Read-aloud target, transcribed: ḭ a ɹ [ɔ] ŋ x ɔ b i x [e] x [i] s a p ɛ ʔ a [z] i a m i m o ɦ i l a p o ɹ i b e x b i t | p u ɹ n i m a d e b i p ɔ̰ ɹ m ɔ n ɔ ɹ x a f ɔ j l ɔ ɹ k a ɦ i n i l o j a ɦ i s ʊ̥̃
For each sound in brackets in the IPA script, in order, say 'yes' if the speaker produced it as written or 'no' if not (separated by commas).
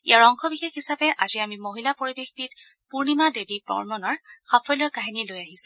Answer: yes, yes, yes, yes